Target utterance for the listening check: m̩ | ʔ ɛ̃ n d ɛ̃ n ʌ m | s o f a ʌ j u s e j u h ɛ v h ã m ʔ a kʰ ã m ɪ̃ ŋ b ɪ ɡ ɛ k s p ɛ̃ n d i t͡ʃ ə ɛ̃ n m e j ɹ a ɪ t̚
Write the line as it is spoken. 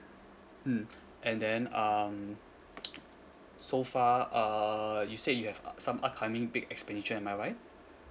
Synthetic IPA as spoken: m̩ | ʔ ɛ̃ n d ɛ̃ n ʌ m | s o f a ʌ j u s e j u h ɛ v s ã m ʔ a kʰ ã m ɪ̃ ŋ b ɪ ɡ ɛ k s p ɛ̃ n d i t͡ʃ ə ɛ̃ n m a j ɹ a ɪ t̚

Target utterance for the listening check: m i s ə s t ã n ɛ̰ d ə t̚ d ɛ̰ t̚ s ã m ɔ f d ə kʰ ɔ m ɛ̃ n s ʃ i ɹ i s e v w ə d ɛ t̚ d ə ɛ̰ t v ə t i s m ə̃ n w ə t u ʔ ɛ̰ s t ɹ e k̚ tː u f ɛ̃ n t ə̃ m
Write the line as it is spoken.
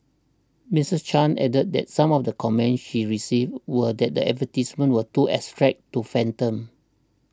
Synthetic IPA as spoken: m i s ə s t͡ʃ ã n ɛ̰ d ə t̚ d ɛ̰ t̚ s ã m ɔ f d ə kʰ ɔ m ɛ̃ n s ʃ i ɹ i s i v w ə d ɛ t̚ d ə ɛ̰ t v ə t i s m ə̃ n w ə t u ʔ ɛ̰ s t ɹ ɛ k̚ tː u f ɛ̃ n t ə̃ m

